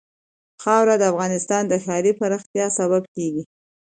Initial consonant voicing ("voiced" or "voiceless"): voiceless